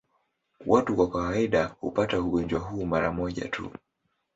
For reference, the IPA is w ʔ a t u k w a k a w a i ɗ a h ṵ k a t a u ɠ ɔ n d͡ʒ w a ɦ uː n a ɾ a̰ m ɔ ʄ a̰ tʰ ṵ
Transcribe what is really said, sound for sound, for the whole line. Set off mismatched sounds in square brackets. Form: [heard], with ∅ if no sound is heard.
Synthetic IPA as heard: w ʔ a t u k w a k a w a i ɗ a h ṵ [p] a t a u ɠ ɔ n d͡ʒ w a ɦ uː [m] a ɾ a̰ m ɔ ʄ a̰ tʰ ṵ